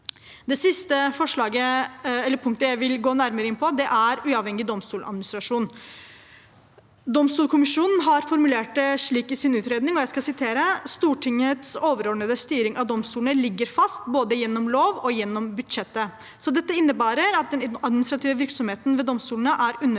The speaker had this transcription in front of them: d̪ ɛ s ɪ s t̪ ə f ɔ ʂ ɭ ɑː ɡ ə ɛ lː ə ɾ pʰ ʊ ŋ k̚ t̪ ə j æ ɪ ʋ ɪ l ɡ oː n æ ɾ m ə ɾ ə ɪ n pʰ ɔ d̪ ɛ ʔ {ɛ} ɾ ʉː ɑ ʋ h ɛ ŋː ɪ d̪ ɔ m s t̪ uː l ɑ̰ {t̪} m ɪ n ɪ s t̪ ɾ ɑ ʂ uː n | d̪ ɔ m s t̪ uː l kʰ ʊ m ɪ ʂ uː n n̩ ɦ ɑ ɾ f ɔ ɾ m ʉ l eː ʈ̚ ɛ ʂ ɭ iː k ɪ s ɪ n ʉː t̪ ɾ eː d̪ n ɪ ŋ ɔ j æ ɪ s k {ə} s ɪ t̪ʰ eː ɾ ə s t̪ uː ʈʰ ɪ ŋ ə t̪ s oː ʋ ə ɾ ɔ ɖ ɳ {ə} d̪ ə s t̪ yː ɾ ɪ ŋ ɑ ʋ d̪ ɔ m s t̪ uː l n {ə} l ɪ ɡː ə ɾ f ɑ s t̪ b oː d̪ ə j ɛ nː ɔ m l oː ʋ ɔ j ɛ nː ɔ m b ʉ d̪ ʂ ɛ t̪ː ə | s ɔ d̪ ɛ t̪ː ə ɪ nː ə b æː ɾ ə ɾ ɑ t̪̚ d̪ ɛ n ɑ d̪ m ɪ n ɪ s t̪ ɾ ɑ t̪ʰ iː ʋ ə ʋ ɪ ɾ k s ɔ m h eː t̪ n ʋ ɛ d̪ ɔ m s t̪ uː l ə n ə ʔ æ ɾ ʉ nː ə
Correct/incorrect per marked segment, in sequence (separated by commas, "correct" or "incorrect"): incorrect, incorrect, incorrect, correct, correct